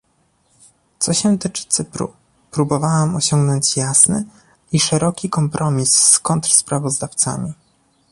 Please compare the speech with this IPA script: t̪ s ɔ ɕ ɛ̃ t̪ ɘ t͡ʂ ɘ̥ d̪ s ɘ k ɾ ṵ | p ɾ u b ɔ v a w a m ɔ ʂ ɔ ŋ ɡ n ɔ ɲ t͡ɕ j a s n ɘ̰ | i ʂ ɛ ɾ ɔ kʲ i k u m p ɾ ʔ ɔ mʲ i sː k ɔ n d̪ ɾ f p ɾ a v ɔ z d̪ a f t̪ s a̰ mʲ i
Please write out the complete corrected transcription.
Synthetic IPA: t̪ s ɔ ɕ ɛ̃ t̪ ɘ t͡ʂ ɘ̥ t̪ s ɘ p ɾ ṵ | p ɾ u b ɔ v a w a m ɔ ɕ ɔ ŋ ɡ n ɔ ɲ t͡ɕ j a s n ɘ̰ | i ʂ ɛ ɾ ɔ kʲ i k ɔ m p ɾ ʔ ɔ mʲ i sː k ɔ n t̪ ɾ s p ɾ a v ɔ z d̪ a f t̪ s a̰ mʲ i